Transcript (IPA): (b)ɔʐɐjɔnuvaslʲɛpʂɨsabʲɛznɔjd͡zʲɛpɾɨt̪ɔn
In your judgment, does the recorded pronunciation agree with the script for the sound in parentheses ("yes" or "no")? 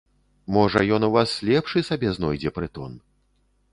no